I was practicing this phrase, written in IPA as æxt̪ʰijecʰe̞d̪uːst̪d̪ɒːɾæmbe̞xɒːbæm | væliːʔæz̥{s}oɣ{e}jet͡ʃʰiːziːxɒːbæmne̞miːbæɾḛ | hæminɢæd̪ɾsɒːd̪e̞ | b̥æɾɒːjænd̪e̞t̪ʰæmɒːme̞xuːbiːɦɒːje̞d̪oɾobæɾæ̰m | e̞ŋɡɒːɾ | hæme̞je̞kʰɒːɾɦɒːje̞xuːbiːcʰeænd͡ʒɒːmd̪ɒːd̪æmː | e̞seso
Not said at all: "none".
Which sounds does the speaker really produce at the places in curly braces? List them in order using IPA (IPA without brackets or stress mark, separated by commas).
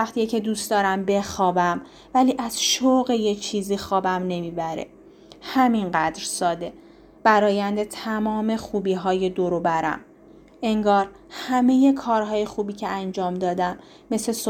ʃ, e